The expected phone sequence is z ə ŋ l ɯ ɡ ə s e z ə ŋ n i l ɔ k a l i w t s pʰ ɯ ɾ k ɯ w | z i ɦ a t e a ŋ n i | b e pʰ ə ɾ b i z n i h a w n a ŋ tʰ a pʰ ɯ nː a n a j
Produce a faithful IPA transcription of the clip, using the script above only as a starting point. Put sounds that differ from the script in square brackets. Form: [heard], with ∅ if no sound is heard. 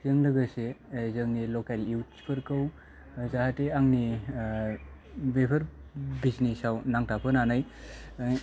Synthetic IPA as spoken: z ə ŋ l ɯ ɡ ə s e z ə ŋ n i l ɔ k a l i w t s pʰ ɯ ɾ k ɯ w | z [a] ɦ a t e a ŋ n i | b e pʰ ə ɾ b i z n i [s] a w n a ŋ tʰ a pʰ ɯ [n] a n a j

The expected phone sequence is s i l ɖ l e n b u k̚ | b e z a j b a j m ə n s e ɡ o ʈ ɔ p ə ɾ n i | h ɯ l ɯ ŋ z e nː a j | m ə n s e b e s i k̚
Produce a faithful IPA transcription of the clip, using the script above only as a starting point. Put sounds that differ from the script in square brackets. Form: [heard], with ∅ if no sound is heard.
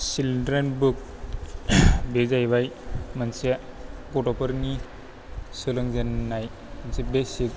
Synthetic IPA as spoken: s i l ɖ [ɾ] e n b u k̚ | b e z a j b a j m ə n s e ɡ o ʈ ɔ p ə ɾ n i | [s] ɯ l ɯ ŋ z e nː a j | m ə n s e b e s i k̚

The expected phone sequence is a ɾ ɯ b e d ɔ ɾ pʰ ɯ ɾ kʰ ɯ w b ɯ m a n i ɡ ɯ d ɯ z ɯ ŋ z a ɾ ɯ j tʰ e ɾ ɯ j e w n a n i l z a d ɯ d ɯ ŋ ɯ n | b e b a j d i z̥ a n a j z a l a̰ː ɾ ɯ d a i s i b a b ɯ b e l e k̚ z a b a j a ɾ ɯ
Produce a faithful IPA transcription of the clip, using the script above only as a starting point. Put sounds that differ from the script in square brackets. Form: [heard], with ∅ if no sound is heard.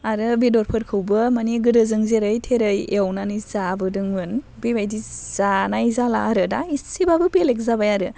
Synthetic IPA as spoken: a ɾ ɯ b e d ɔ ɾ pʰ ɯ ɾ kʰ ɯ w b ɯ m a n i ɡ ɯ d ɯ z ɯ ŋ z [e] ɾ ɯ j tʰ e ɾ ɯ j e w n a n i [∅] z a [b] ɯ d ɯ ŋ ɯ n | b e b a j d i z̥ a n a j z a l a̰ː ɾ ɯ d a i s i b a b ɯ b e l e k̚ z a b a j a ɾ ɯ

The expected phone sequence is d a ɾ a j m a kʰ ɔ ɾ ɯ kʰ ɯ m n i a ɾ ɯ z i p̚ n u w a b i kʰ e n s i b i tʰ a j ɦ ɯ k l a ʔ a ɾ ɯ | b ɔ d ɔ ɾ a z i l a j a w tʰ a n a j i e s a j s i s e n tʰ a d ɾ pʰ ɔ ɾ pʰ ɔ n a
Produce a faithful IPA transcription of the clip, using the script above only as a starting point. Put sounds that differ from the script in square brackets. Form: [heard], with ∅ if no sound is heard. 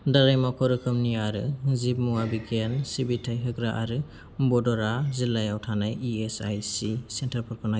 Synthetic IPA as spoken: d a ɾ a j m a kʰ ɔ ɾ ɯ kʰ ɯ m n i a ɾ ɯ z i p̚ [m] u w a b i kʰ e n s i b i tʰ a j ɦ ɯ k [ɾ] a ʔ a ɾ ɯ | b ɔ d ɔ ɾ a z i l a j a w tʰ a n a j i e s a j s i s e n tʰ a [∅] ɾ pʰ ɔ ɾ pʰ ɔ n a

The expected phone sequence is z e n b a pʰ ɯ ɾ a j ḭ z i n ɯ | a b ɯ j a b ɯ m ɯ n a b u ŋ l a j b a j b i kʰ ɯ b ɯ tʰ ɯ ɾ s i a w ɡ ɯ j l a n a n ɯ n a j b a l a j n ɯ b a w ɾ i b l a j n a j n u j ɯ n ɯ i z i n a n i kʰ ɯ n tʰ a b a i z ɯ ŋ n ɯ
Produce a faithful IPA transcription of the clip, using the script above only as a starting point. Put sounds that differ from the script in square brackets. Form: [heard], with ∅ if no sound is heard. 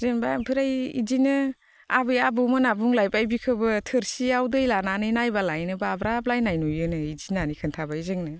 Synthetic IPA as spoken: z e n b a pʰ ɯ ɾ a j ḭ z i n ɯ | a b ɯ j a b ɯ m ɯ n a b u ŋ l a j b a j b i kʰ ɯ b ɯ tʰ ɯ ɾ s i a w [d] ɯ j l a n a n ɯ n a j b a l a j n ɯ b a [b] ɾ [a] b l a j n a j n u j ɯ n ɯ i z i n a n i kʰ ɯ n tʰ a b a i z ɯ ŋ n ɯ

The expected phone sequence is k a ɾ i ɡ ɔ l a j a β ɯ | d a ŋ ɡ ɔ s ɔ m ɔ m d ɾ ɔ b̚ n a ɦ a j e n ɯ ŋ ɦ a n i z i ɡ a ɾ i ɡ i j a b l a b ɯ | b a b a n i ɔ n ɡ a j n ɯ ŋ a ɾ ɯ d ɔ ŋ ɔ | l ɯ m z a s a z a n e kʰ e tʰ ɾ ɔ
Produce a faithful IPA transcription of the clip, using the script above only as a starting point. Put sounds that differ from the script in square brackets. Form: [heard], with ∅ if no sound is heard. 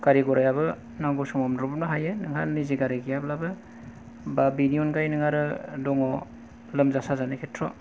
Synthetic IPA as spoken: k a ɾ i ɡ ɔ [ɾ] a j a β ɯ | [n] a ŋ ɡ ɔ s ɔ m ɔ m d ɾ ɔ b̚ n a ɦ a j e n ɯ ŋ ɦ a n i z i ɡ a ɾ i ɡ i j a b l a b ɯ | b a b [i] n i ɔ n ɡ a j n ɯ ŋ a ɾ ɯ d ɔ ŋ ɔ | l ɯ m z a s a z a n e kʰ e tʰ ɾ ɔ

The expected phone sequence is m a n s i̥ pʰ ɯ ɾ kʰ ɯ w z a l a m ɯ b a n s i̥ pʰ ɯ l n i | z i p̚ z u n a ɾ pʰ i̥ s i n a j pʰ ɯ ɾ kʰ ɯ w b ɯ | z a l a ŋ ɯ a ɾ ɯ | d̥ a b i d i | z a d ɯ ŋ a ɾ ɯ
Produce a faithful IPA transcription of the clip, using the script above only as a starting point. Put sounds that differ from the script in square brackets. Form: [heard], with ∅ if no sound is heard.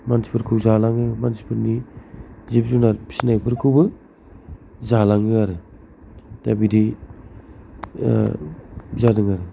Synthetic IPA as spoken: m a n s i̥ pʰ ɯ ɾ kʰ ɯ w z a l a [ŋ] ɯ [m] a n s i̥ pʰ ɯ [ɾ] n i | z i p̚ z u n a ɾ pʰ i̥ s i n a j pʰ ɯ ɾ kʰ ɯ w b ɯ | z a l a ŋ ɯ a ɾ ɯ | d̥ a b i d i | z a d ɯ ŋ a ɾ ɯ

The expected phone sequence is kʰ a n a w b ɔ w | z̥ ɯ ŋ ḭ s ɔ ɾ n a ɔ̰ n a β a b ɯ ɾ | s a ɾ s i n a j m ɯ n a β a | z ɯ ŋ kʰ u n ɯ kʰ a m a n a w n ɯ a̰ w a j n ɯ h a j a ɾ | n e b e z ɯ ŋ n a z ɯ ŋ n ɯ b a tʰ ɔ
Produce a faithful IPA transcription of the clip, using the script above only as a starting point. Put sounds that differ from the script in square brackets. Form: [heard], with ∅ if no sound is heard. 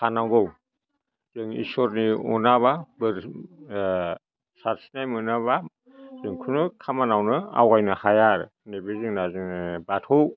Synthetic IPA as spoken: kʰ a n a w [ɡ] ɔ w | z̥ ɯ ŋ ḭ s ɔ ɾ n [i] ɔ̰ n a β a b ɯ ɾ | s a ɾ s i n a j m ɯ n a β a | z ɯ ŋ kʰ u n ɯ kʰ a m a n a w n ɯ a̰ w a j n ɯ h a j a ɾ | n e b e z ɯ ŋ n a z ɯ ŋ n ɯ b a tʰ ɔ

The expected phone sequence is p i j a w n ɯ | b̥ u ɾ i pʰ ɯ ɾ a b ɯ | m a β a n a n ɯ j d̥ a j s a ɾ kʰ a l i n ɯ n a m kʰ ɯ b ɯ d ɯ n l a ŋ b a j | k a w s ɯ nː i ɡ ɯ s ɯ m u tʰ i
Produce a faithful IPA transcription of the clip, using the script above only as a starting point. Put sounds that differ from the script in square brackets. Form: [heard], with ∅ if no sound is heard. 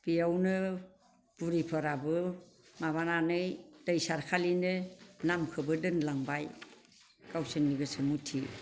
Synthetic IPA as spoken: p i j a w n ɯ | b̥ u ɾ i pʰ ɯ ɾ a b ɯ | m a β a n a n ɯ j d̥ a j s a ɾ kʰ a l i n ɯ n a m kʰ ɯ b ɯ d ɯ n l a ŋ b a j | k a w s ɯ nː i ɡ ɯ s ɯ m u tʰ i

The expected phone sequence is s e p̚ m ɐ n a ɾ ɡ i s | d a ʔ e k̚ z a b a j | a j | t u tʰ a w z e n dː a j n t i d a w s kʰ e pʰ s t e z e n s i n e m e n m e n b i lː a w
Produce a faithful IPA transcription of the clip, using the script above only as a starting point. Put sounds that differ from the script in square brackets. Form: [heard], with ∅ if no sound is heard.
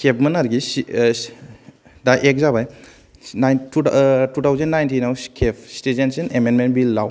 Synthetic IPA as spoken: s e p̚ m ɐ n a ɾ ɡ i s | d a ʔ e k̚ z a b a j | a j | t u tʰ a w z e n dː a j n t i [n] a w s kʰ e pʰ s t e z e n s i n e m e n m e n b i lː a w

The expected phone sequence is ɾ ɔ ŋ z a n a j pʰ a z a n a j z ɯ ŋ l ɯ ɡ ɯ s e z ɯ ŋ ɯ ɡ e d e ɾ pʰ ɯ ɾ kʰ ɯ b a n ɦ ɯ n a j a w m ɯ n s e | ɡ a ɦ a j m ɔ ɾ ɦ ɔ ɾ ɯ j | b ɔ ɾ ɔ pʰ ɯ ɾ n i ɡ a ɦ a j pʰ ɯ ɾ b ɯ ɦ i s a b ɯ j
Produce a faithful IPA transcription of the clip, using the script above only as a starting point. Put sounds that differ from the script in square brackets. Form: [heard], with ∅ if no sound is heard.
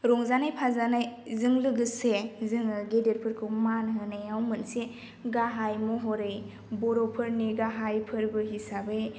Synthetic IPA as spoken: ɾ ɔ ŋ z a n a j pʰ a z a n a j z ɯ ŋ l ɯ ɡ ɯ s e z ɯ ŋ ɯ ɡ e d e ɾ pʰ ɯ ɾ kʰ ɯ [m] a n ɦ ɯ n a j a w m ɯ n s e | ɡ a ɦ a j m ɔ [∅] ɦ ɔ ɾ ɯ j | b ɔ ɾ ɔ pʰ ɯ ɾ n i ɡ a ɦ a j pʰ ɯ ɾ b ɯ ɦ i s a b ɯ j

